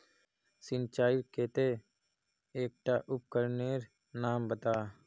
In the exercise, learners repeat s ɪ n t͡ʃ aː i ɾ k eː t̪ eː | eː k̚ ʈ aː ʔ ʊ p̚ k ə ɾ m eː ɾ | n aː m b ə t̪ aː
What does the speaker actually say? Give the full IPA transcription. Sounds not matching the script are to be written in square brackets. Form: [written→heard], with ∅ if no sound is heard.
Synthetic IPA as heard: s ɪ n t͡ʃ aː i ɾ k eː t̪ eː | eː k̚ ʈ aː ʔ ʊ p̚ k ə ɾ [m→n] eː ɾ | n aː m b ə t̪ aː